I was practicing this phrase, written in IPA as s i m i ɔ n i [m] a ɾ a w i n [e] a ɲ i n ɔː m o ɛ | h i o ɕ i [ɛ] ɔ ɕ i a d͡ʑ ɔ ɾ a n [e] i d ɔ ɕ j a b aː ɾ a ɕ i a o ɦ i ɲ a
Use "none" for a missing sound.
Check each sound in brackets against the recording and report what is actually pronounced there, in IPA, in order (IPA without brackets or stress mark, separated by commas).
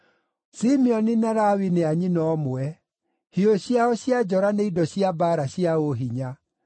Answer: n, e, a, e